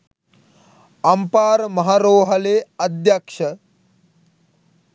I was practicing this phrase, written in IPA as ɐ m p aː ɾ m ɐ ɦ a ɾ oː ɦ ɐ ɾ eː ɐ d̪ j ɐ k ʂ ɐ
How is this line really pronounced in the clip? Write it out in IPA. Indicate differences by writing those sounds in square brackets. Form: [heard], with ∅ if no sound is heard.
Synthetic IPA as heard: ɐ m p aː ɾ m ɐ ɦ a ɾ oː ɦ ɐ [l] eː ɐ d̪ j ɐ k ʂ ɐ